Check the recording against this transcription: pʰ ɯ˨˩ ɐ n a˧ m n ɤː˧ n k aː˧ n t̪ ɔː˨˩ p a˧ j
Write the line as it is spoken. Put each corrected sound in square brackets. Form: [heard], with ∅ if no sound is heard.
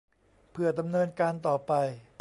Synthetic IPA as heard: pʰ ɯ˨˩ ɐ [d] a˧ m n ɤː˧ n k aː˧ n t̪ ɔː˨˩ p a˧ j